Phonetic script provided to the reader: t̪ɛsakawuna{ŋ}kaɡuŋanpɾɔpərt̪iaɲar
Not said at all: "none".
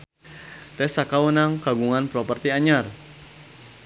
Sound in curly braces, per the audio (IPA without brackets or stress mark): ŋ